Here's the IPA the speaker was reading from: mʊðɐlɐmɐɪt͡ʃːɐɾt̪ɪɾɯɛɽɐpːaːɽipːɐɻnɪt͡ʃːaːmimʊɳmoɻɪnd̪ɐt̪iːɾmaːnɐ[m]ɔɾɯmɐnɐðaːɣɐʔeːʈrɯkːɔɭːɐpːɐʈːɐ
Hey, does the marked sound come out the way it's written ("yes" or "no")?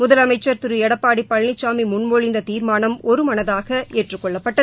yes